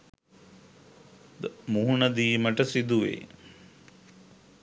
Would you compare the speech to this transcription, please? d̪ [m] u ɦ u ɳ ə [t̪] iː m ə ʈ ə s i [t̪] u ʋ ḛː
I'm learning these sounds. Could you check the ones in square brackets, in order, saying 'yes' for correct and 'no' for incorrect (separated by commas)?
yes, no, no